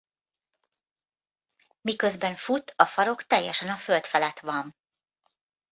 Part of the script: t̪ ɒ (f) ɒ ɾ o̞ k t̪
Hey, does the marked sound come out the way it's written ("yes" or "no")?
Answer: yes